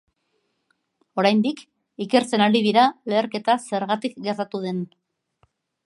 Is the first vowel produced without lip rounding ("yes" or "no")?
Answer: no